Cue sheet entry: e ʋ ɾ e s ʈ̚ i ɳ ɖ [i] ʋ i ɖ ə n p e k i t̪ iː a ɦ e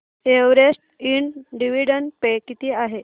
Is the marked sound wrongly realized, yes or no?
no